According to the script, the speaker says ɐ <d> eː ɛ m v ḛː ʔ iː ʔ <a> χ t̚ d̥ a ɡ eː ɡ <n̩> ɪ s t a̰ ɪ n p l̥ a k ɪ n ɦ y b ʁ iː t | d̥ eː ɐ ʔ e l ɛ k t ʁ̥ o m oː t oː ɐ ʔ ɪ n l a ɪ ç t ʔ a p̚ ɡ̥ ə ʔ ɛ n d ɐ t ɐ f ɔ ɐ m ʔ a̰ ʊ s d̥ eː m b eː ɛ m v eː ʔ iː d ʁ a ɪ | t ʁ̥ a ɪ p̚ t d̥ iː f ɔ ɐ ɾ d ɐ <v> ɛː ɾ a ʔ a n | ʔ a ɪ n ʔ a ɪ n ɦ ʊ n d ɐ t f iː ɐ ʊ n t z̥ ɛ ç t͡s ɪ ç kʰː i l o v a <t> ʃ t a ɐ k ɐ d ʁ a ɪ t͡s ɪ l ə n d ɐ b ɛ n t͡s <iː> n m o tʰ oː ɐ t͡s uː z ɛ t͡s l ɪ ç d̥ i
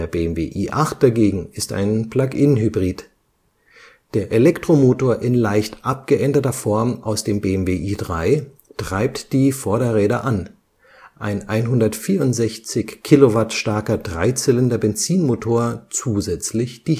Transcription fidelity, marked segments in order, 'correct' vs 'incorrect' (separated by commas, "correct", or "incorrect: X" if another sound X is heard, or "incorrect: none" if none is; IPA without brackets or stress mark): incorrect: b, correct, incorrect: ŋ̩, incorrect: ʁ, correct, correct